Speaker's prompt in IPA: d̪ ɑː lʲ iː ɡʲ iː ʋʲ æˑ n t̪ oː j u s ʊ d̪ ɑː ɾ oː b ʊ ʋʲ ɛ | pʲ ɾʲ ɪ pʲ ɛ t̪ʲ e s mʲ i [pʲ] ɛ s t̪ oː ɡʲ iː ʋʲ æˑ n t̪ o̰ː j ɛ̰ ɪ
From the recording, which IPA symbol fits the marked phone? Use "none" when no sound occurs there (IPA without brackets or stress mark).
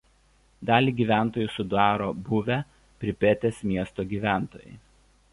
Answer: none